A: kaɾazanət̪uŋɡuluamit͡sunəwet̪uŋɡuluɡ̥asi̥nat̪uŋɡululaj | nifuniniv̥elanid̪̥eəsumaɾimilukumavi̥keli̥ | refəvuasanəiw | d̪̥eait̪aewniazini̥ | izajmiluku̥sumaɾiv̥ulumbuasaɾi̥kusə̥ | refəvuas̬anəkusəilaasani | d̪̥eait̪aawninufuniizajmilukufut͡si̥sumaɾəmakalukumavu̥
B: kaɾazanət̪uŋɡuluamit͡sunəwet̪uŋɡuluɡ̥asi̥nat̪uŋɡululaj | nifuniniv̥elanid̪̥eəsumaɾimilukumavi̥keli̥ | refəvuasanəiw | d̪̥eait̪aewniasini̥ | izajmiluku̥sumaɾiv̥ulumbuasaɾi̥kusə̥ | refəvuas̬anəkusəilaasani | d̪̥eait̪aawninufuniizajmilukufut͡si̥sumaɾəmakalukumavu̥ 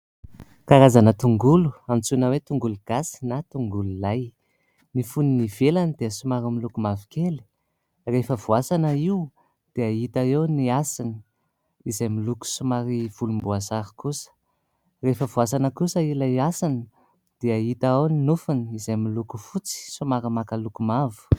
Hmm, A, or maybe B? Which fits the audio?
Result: B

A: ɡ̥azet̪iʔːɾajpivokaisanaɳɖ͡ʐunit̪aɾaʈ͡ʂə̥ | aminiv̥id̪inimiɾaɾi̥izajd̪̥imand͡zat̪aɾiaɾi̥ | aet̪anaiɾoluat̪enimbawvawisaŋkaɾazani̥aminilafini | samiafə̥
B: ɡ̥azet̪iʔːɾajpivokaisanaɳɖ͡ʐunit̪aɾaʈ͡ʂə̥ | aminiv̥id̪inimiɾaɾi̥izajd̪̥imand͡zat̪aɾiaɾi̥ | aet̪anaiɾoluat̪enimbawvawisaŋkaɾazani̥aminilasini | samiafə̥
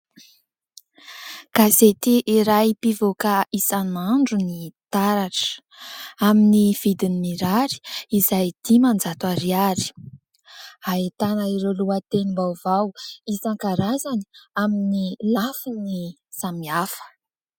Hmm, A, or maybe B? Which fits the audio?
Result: A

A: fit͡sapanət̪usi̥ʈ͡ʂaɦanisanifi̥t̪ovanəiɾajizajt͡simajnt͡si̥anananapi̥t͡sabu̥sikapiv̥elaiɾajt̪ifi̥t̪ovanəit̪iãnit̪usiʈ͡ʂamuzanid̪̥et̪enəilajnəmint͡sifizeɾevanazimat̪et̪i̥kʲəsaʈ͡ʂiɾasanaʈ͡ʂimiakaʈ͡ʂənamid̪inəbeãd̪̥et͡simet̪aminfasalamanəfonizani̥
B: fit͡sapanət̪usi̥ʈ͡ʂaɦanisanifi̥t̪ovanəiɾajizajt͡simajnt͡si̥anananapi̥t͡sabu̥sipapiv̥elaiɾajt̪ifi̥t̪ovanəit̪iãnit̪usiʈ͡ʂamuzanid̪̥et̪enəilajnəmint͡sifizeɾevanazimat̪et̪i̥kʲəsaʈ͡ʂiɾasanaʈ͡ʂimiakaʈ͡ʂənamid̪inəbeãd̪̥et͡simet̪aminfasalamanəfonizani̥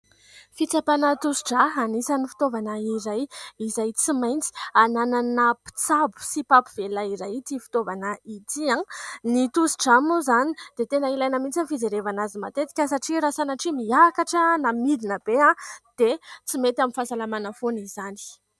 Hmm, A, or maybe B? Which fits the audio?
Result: B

